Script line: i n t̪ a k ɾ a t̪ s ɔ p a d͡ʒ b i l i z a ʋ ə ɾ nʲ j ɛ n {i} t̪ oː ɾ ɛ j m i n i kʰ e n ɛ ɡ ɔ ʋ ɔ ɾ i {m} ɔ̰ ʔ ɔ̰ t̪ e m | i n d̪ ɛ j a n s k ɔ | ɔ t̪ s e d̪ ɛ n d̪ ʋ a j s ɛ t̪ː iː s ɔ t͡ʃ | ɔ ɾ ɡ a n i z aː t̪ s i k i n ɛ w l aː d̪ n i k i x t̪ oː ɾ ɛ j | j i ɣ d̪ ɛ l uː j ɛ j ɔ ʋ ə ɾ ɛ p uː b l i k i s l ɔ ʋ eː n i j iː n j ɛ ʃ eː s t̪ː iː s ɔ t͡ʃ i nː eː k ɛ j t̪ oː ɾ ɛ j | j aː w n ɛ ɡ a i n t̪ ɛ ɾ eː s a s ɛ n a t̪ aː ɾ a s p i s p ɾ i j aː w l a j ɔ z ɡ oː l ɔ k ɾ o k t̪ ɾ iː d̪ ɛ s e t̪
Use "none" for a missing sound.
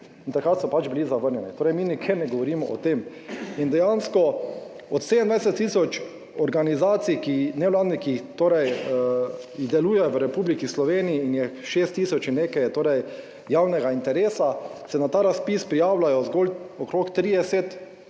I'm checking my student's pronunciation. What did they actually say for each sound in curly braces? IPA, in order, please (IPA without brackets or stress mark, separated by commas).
i, m